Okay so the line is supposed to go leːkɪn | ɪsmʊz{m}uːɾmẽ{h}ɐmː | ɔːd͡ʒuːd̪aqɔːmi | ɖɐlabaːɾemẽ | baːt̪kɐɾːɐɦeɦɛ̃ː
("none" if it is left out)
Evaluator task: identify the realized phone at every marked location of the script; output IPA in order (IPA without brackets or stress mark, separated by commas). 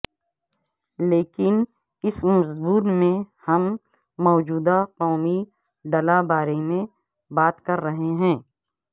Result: b, h